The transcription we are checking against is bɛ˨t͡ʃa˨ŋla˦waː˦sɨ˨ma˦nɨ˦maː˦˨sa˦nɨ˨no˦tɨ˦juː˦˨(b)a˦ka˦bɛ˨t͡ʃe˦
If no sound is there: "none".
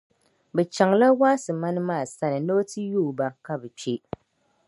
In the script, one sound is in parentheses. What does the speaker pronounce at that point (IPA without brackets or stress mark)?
b